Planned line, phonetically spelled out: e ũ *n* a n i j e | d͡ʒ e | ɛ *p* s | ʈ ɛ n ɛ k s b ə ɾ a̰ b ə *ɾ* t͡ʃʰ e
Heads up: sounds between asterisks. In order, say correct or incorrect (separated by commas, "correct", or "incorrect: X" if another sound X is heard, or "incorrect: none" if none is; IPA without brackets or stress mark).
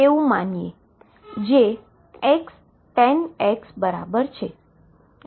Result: incorrect: m, incorrect: k, correct